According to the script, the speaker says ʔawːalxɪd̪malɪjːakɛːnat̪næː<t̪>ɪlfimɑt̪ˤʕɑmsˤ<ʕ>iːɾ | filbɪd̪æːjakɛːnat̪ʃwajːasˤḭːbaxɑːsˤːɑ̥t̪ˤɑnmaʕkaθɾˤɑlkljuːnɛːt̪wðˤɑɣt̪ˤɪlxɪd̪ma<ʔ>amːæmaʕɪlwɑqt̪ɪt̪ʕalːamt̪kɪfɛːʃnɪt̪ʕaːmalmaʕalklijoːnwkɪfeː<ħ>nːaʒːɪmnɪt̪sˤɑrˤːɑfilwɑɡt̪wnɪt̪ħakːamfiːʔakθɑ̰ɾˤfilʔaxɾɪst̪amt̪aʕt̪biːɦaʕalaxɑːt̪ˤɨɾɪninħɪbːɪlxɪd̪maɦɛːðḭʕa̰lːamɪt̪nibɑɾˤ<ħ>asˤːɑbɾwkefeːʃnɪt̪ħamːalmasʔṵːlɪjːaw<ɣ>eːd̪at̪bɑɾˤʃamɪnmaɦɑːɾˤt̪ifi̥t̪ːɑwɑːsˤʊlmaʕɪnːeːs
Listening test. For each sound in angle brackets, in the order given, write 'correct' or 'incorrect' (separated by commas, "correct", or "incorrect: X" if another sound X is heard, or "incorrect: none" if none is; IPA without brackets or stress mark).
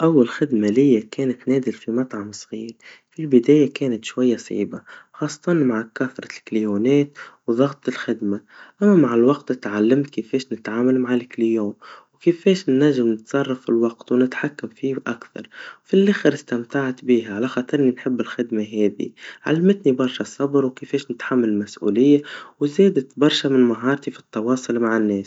incorrect: d̪, incorrect: ɣ, correct, incorrect: ʃ, incorrect: ʃ, incorrect: z